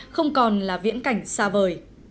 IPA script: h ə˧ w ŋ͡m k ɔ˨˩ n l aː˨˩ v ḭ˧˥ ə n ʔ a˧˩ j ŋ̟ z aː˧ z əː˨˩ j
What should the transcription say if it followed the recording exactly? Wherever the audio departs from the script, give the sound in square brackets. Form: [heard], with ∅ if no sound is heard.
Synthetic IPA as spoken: [x] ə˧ w ŋ͡m k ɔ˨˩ n l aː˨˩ v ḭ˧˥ ə n [k] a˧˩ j ŋ̟ [s] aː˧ [v] əː˨˩ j